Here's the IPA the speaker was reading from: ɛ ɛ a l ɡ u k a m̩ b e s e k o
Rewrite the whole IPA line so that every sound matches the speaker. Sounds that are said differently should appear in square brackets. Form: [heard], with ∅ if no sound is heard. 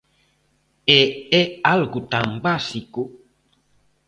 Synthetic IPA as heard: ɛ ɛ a l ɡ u [t] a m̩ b [a] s [i] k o